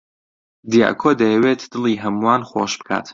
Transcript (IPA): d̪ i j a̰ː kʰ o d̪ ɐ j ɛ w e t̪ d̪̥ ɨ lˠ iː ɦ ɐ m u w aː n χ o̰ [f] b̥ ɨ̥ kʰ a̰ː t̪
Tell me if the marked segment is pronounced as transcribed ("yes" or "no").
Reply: no